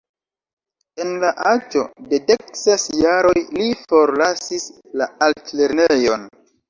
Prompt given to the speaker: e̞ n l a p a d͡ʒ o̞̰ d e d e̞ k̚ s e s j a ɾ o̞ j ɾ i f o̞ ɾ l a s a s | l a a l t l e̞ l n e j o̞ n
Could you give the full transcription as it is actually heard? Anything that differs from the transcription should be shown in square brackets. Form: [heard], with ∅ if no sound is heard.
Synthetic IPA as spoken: e̞ n l a [ʔ] a d͡ʒ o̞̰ d e d e̞ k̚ s e s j a ɾ o̞ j [l] i f o̞ ɾ l a s [i] s | l a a l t l e̞ [ɾ] n e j o̞ n